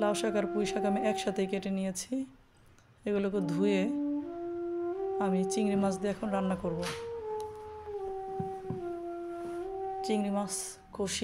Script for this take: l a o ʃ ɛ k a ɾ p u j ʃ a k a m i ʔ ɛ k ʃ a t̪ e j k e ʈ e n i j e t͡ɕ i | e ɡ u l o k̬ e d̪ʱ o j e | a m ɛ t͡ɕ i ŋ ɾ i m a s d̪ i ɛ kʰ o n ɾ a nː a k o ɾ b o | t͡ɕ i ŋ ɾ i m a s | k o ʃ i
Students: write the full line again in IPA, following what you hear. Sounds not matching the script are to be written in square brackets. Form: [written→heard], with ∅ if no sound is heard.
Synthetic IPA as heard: l a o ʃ [ɛ→a] k a ɾ p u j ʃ a k a m i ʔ ɛ k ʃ a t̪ e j k e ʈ e n i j e [t͡ɕ→t͡ɕʰ] i | e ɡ u l o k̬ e d̪ʱ [o→u] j e | a m [ɛ→i] t͡ɕ i ŋ ɾ i m a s d̪ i ɛ kʰ o n ɾ a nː a k o ɾ b o | t͡ɕ i ŋ ɾ i m a s | k o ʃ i